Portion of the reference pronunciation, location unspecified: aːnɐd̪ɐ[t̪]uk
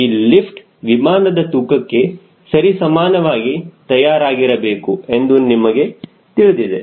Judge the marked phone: correct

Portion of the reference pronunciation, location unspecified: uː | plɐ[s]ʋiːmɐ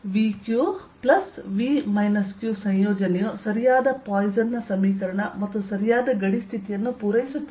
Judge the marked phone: correct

